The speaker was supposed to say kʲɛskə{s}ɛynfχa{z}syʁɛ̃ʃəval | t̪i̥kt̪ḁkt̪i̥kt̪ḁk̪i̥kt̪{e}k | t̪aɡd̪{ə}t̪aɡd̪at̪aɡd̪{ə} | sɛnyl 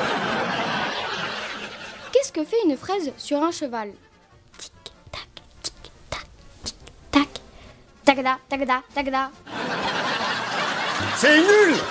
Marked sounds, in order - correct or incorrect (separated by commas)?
incorrect, correct, incorrect, incorrect, incorrect